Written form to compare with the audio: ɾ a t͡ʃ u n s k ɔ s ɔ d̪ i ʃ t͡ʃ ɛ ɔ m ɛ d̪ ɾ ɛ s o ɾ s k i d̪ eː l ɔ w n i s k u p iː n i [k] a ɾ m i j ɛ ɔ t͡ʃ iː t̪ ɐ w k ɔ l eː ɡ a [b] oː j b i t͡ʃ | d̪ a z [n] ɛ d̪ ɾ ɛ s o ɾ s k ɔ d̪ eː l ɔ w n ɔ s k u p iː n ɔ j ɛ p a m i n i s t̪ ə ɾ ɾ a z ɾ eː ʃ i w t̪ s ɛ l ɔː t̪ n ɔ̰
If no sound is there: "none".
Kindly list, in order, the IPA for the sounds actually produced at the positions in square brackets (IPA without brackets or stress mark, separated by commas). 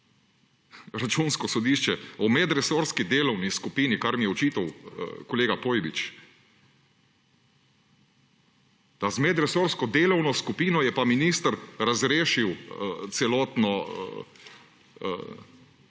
k, p, m